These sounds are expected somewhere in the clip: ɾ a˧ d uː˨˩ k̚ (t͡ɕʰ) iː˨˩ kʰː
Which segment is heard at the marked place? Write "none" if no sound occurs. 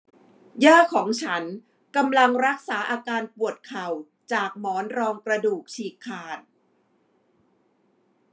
t͡ɕʰ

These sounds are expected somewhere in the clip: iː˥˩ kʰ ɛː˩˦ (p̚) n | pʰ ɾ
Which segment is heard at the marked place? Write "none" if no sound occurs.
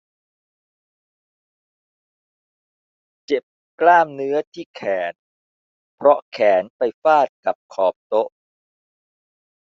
none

